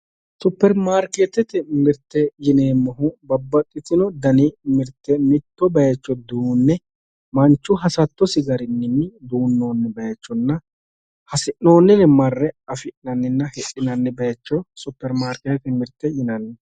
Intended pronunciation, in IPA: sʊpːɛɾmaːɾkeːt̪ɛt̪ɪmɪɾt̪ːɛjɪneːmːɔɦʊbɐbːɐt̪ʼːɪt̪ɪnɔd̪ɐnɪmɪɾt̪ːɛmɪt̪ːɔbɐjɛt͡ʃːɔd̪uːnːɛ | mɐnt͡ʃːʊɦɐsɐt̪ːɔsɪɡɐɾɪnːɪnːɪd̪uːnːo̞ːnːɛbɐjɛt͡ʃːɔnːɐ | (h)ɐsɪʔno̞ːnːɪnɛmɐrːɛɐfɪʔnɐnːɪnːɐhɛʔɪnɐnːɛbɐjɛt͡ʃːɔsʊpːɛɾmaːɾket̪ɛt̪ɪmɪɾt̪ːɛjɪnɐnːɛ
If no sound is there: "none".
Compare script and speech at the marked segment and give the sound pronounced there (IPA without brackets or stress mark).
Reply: h